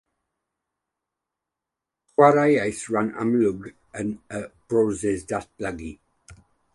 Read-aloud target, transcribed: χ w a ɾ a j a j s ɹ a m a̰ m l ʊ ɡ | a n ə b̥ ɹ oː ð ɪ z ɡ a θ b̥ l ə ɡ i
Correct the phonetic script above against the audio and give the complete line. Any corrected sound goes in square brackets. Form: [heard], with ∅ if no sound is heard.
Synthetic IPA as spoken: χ w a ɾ a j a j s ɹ a [n] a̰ m l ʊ ɡ | [ə] n ə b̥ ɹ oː [z] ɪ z [d] a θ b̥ l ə ɡ i